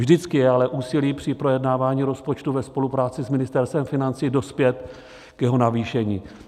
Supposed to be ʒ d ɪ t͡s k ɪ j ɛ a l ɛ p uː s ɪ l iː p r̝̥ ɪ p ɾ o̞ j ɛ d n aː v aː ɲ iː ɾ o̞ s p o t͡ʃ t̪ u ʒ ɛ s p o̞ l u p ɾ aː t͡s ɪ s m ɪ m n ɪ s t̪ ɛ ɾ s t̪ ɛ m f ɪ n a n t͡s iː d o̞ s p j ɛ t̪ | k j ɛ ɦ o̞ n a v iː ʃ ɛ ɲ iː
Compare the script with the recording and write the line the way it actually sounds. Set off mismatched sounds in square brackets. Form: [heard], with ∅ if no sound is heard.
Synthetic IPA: ʒ d ɪ t͡s k ɪ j ɛ a l ɛ [ʔ] uː s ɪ l iː p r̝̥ ɪ p ɾ o̞ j ɛ d n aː v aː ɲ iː ɾ o̞ s p o t͡ʃ t̪ u [v] ɛ s p o̞ l u p ɾ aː t͡s ɪ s m ɪ [∅] n ɪ s t̪ ɛ ɾ s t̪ ɛ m f ɪ n a n t͡s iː d o̞ s p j ɛ t̪ | k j ɛ ɦ o̞ n a v iː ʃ ɛ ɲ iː